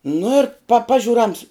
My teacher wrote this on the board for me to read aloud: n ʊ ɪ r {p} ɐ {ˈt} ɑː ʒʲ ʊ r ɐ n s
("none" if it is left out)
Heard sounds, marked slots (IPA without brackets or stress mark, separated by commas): p, p